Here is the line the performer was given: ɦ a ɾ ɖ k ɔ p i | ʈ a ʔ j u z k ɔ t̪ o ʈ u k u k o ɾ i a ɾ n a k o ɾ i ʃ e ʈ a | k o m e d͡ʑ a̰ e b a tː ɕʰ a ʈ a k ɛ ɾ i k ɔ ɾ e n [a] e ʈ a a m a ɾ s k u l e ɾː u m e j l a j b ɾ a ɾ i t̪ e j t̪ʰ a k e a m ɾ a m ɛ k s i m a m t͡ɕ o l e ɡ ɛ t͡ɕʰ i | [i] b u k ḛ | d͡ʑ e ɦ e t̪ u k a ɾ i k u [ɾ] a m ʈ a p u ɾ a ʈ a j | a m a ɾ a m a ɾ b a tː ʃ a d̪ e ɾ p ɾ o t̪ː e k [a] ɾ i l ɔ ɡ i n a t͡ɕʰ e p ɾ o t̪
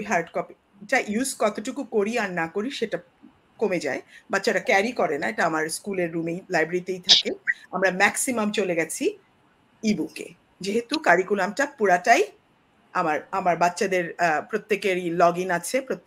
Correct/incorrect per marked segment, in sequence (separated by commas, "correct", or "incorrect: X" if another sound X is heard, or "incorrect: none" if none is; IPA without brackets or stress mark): correct, correct, incorrect: l, incorrect: e